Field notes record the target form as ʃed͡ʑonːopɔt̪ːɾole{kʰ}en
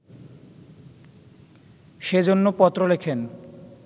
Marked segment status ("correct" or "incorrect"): correct